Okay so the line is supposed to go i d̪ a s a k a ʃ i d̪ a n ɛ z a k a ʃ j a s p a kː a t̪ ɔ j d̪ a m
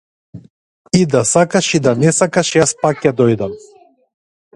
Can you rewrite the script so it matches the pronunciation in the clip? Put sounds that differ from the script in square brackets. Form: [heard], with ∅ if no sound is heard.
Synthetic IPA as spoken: i d̪ a s a k a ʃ i d̪ a n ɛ [s] a k a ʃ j a s p a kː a [d̪] ɔ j d̪ a m